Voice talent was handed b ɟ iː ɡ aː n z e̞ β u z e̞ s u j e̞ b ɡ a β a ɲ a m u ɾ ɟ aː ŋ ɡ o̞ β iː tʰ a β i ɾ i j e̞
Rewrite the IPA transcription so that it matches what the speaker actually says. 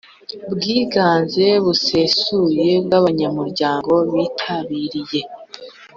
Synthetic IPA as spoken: b ɡ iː ɡ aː n z e̞ β u s e̞ s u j e̞ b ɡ a β a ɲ a m u ɾ ɟ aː ŋ ɡ o̞ β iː tʰ a β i ɾ i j e̞

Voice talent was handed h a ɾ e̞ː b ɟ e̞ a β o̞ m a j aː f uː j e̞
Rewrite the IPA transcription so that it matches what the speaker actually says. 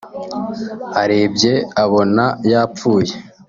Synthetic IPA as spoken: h a ɾ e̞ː b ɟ e̞ a β o̞ n a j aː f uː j e̞

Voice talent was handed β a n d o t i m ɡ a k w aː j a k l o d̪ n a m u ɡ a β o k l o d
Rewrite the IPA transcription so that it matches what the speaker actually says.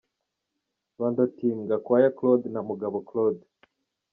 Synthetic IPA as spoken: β a n d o t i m ɡ a k w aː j a k l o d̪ n a m u ɡ a β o k l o d

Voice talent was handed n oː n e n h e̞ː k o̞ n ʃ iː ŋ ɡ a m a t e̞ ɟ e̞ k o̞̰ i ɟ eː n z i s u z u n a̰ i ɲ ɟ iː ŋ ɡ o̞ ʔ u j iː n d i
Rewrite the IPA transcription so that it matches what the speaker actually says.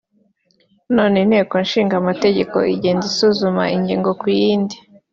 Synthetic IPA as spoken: n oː n e n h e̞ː k o̞ n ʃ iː ŋ ɡ a m a t e̞ ɟ e̞ k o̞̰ i ɟ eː n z i s u z u m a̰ i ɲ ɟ iː ŋ ɡ o̞ k u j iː n d i

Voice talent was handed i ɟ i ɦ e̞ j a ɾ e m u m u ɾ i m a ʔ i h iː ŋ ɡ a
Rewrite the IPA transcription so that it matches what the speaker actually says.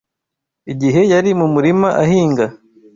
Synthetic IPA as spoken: i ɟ i ɦ e̞ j a ɾ i m u m u ɾ i m a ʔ a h iː ŋ ɡ a

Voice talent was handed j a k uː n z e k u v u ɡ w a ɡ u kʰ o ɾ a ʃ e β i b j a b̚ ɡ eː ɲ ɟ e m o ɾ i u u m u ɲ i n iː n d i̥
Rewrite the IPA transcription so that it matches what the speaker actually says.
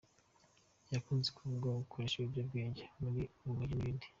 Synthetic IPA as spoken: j a k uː n z e k u v u ɡ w a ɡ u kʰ o ɾ e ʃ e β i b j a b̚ ɡ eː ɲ ɟ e m u ɾ i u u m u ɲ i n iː n d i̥

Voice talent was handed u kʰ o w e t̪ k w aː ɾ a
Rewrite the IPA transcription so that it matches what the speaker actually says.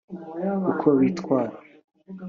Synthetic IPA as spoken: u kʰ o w i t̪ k w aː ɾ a

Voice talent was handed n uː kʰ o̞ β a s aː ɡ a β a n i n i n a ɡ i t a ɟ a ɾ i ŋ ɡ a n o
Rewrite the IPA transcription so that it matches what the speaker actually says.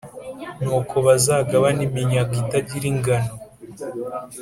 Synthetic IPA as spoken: n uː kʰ o̞ β a z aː ɡ a β a n i m i ɲ a ɡ i t a ɟ i ɾ i ŋ ɡ a n o

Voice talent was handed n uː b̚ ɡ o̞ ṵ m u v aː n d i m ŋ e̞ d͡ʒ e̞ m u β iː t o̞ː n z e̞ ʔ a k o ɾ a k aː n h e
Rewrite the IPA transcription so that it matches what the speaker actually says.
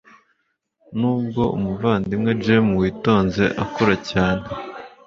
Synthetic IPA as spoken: n uː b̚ ɡ o̞ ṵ m u v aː n d i m ŋ e̞ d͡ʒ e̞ m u w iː t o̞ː n z e̞ ʔ a k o ɾ a c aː n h e

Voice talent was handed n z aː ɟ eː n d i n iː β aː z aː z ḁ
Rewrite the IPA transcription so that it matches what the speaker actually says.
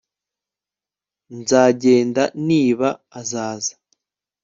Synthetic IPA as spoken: n z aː ɟ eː n d a n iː β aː z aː z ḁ

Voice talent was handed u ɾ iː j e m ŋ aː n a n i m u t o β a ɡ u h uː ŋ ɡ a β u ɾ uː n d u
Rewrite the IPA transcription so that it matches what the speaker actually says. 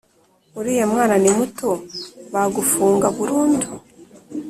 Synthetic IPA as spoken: u ɾ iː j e m ŋ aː n a n i m u t o β a ɡ u f uː ŋ ɡ a β u ɾ uː n d u

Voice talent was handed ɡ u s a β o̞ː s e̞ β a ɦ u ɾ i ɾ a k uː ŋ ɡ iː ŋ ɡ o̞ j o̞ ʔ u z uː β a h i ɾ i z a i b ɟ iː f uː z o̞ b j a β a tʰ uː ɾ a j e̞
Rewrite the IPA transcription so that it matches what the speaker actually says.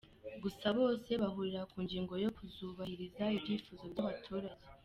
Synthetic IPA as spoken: ɡ u s a β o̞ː s e̞ β a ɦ u ɾ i ɾ a k uː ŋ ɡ iː ŋ ɡ o̞ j o̞ k u z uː β a h i ɾ i z a i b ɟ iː f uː z o̞ b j a β a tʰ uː ɾ a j e̞

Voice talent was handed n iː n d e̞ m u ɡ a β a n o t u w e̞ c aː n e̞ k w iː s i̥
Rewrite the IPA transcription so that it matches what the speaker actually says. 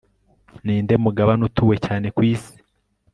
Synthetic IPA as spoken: n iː n d e̞ m u ɡ a β a n u t u w e̞ c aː n e̞ k w iː s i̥

